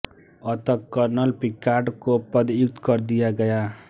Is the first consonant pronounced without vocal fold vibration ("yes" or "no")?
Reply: yes